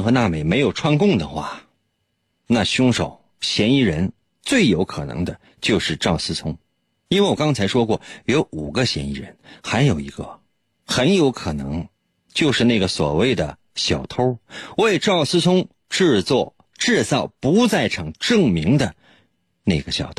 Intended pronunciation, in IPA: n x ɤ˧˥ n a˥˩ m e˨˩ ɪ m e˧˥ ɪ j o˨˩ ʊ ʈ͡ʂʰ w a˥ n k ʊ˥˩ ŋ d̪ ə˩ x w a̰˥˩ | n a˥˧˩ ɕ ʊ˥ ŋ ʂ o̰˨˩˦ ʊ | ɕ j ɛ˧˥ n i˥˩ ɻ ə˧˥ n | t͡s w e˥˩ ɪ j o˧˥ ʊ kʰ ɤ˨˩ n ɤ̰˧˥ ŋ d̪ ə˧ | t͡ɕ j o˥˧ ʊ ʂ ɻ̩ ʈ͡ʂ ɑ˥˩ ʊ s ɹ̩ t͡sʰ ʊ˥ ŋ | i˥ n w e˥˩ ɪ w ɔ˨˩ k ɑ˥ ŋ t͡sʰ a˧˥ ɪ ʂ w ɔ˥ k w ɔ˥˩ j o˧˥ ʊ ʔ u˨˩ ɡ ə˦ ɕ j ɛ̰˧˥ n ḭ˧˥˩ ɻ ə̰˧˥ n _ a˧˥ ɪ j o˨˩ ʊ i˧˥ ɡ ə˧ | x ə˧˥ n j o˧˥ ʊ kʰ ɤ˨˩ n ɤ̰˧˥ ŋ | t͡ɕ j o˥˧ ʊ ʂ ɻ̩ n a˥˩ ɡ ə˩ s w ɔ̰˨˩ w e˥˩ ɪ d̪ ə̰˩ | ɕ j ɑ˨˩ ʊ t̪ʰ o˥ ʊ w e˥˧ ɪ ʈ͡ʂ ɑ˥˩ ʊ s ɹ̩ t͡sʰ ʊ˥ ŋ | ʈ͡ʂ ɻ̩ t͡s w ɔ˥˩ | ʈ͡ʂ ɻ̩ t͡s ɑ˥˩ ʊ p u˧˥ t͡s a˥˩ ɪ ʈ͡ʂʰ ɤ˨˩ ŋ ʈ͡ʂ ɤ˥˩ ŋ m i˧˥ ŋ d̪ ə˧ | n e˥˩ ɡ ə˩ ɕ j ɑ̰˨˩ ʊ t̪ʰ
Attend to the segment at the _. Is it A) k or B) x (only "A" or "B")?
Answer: B